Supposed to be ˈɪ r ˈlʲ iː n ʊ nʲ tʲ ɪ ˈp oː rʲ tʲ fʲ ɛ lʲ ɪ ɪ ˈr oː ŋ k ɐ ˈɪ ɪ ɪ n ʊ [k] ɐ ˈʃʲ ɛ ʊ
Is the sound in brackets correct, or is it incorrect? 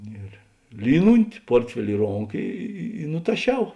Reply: incorrect